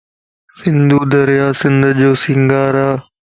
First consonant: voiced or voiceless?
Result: voiceless